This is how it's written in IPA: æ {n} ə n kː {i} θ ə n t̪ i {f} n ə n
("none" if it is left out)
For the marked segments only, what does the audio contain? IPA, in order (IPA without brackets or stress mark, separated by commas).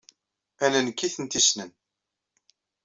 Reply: n, i, s